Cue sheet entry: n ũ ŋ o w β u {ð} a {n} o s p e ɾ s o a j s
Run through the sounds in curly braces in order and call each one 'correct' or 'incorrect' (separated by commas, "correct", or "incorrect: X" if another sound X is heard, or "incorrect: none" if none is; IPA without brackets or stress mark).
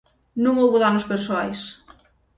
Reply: correct, correct